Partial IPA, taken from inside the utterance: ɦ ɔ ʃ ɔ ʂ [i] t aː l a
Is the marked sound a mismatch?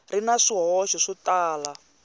no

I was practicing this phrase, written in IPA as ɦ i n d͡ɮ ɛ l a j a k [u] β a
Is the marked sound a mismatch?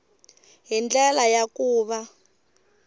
yes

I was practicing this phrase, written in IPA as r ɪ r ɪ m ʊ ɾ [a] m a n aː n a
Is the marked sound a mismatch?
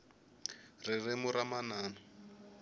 no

